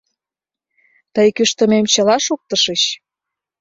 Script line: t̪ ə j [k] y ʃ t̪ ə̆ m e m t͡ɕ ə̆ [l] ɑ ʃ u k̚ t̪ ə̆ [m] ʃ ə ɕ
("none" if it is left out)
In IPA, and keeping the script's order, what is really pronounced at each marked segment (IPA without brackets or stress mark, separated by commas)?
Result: k, l, none